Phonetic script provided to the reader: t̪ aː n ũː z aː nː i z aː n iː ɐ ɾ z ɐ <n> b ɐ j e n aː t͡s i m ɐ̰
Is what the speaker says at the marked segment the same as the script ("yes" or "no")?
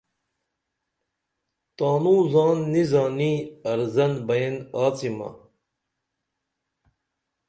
yes